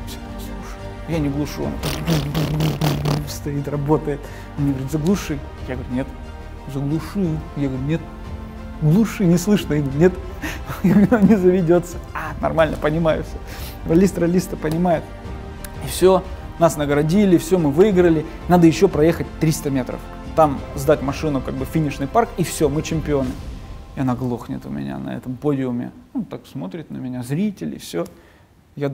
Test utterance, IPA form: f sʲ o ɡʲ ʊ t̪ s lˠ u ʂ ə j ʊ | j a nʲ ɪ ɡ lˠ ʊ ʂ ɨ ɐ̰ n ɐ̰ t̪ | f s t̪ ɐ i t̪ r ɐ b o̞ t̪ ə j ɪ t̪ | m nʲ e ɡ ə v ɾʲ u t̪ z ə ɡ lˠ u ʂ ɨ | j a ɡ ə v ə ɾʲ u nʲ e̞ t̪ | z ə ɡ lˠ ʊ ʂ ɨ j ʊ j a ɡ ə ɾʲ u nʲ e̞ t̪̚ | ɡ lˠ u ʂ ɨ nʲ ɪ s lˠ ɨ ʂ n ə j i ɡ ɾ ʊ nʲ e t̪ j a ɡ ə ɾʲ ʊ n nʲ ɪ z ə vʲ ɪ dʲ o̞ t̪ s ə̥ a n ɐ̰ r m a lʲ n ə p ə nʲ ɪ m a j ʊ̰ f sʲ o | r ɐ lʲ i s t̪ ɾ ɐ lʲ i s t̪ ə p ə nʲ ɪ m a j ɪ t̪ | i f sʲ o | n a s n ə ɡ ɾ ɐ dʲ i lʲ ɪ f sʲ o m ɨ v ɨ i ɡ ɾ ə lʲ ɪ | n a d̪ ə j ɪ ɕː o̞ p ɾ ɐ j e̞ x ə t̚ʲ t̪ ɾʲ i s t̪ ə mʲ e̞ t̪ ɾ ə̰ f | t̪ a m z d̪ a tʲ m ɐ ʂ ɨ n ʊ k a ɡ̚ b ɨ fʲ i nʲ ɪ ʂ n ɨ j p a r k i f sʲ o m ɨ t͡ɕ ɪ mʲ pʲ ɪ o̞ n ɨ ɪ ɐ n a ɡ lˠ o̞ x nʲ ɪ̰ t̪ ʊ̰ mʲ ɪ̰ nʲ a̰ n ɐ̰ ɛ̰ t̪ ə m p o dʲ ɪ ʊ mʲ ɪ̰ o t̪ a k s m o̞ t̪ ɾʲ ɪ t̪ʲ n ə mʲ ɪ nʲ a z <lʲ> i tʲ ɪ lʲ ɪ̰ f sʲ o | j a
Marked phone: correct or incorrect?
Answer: incorrect